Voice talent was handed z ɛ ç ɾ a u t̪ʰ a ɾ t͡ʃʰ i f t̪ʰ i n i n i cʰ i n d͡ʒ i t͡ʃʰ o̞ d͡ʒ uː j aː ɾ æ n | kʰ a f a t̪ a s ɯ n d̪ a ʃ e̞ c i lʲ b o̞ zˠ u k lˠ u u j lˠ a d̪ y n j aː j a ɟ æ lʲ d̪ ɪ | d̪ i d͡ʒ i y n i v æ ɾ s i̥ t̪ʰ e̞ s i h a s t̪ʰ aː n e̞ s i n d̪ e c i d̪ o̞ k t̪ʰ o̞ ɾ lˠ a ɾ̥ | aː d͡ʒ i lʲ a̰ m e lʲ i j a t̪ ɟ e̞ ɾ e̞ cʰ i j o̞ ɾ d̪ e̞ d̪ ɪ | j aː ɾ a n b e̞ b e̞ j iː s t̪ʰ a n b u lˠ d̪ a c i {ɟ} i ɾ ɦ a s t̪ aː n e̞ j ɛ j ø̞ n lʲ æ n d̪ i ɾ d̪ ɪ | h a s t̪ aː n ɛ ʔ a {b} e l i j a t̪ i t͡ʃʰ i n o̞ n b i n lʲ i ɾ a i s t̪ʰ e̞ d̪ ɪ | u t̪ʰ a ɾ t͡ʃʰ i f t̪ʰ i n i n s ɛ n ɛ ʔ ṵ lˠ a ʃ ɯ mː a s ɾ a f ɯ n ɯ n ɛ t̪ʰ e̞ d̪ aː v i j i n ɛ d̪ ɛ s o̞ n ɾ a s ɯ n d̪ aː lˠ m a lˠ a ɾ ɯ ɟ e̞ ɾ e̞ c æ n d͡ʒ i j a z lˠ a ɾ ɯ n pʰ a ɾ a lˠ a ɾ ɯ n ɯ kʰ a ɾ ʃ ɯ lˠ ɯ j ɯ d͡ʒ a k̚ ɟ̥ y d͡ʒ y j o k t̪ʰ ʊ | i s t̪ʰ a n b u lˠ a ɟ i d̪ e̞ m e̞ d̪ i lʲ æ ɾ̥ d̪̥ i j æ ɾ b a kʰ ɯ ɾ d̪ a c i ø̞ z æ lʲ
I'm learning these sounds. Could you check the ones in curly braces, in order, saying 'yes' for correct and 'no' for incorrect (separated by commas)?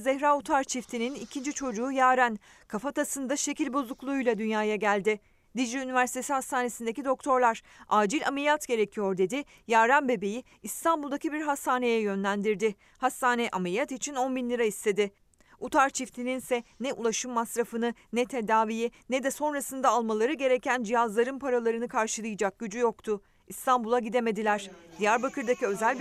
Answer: no, no